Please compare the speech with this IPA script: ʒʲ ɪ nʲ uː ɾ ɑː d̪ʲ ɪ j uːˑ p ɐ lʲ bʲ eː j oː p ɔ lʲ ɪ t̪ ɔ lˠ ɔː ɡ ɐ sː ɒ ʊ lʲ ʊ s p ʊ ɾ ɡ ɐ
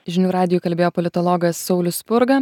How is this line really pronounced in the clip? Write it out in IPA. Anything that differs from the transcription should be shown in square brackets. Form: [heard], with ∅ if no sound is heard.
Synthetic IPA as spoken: ʒʲ ɪ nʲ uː ɾ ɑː d̪ʲ ɪ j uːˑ [k] ɐ lʲ bʲ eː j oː p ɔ lʲ ɪ t̪ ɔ lˠ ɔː ɡ ɐ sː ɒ ʊ lʲ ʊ s p ʊ ɾ ɡ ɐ